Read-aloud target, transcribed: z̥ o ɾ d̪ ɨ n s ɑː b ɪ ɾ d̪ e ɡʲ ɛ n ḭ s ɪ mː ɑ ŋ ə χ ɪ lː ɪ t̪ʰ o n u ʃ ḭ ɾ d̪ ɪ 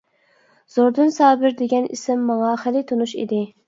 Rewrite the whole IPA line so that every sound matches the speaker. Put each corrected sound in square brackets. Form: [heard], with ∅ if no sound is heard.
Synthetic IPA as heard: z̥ o ɾ d̪ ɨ n s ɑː b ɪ ɾ d̪ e ɡʲ ɛ n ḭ s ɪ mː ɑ ŋ [ɑ] χ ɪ [l] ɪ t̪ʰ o n u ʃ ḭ [∅] d̪ ɪ